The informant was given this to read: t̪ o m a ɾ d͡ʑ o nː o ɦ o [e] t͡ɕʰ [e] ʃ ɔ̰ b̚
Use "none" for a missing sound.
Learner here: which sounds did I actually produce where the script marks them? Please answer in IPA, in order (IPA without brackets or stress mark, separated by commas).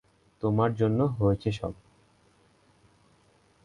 e, e